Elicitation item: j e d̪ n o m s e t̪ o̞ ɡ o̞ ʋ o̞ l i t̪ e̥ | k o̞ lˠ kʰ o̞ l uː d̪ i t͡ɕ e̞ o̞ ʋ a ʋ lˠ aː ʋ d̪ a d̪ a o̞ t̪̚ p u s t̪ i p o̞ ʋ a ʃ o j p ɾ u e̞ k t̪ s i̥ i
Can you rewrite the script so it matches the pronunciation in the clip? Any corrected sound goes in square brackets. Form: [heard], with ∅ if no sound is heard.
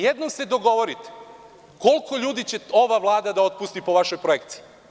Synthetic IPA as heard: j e d̪ n o m s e [d̪] o̞ ɡ o̞ ʋ o̞ [ɾ] i t̪ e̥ | k o̞ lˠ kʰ o̞ [ʎ] uː d̪ i t͡ɕ e̞ o̞ ʋ a ʋ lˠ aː [∅] d̪ a d̪ a o̞ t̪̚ p u s t̪ i p o̞ ʋ a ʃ o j p ɾ [o] e̞ k t̪ s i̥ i